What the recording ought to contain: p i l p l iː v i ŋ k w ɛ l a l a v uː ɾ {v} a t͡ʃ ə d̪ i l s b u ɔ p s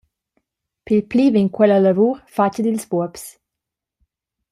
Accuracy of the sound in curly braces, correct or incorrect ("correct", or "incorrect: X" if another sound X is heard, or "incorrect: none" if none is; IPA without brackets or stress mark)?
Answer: incorrect: f